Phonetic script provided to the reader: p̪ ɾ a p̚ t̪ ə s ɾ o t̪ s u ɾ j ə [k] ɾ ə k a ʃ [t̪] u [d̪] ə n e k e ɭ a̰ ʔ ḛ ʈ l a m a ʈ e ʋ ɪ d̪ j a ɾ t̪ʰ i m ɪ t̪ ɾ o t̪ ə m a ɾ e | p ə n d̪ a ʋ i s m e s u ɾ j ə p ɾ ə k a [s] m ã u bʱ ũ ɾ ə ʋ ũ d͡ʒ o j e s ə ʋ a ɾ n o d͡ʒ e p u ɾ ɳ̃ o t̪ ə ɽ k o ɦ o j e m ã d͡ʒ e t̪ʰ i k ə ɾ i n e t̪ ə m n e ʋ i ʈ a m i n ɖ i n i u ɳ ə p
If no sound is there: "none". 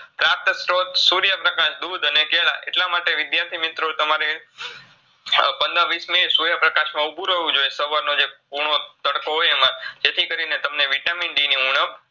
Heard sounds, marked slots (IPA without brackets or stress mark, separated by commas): p, d̪, d̪, ʃ